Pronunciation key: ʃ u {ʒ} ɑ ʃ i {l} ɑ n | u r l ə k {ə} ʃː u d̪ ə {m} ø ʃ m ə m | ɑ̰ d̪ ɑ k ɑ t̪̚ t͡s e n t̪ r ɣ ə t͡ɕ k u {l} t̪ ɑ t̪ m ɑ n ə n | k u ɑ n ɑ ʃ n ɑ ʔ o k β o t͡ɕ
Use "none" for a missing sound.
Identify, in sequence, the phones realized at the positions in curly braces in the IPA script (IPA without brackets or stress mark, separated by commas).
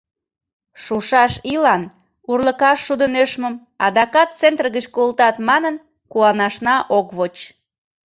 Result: ʃ, l, ɑ, n, l